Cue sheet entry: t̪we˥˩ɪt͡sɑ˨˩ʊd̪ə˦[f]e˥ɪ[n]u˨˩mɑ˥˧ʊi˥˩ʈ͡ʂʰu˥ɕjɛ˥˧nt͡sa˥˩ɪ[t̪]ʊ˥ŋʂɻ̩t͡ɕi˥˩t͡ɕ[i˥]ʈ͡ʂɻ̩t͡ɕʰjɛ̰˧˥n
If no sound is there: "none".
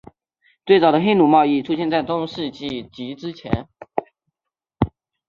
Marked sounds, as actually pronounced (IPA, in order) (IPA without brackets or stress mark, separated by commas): x, n, t̪, i˧˥